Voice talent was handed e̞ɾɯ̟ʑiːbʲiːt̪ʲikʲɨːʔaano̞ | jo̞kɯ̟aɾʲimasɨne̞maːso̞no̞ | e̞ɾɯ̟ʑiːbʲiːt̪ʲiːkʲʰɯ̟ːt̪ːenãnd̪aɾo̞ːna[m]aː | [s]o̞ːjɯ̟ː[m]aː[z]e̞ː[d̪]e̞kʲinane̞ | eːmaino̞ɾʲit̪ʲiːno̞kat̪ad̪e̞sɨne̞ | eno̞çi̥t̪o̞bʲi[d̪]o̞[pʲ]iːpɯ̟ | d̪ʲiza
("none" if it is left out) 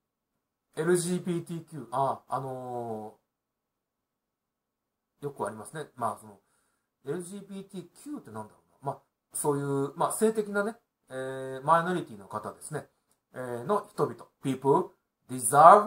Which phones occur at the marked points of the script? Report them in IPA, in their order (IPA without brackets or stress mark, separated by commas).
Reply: m, s, m, s, t̪, t̪, pʲ